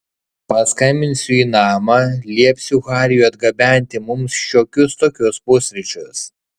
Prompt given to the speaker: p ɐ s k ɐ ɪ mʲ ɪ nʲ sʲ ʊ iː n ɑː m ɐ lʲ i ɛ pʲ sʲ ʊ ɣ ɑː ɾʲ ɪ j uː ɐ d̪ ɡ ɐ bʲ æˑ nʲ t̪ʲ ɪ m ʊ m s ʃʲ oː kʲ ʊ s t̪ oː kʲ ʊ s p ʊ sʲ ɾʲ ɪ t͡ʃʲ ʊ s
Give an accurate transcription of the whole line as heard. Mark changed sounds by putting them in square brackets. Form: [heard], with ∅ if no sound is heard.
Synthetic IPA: p ɐ s k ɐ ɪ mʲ ɪ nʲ sʲ ʊ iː n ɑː m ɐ lʲ i ɛ pʲ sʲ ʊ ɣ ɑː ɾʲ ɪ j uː ɐ d̪ ɡ ɐ bʲ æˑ nʲ t̪ʲ ɪ m ʊ m s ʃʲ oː kʲ ʊ s t̪ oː kʲ ʊ s p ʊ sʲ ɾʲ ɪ t͡ʃʲ ʊ s